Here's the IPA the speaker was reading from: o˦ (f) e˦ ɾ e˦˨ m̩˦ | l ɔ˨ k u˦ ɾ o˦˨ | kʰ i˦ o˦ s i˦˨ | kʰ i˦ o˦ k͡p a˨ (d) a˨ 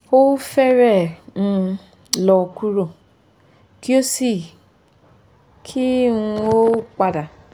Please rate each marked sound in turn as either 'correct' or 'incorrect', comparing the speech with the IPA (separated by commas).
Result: correct, correct